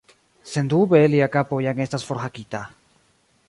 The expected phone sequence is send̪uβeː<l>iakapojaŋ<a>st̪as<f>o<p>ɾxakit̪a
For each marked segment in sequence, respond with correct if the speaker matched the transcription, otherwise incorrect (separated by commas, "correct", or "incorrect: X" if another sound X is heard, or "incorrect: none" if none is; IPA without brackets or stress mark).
correct, incorrect: e, correct, incorrect: none